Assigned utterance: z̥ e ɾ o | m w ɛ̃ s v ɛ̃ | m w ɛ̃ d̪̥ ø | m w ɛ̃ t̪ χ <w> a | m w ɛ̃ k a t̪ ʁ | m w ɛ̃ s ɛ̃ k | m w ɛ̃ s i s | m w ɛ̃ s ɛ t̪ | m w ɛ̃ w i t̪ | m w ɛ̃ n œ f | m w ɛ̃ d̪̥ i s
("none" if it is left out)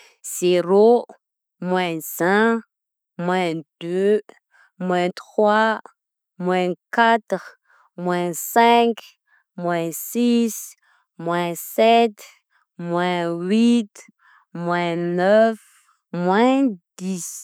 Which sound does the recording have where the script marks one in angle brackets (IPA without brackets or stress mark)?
w